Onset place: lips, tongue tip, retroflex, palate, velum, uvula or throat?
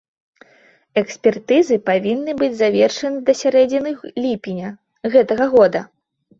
velum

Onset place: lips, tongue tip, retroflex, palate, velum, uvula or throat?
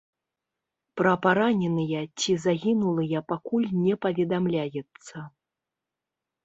lips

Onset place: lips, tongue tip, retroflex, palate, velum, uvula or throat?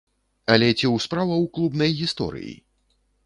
tongue tip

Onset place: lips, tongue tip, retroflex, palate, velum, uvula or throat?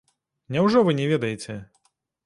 tongue tip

